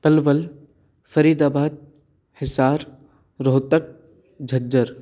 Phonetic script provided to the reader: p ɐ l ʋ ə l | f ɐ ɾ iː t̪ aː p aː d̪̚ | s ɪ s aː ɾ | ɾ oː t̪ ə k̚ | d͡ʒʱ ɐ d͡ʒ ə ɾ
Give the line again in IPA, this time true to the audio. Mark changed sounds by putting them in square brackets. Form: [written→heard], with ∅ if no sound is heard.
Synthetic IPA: p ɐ l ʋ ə l | f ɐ ɾ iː [t̪→d̪] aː [p→b] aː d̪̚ | [s→h] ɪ s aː ɾ | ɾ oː t̪ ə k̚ | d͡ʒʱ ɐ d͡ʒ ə ɾ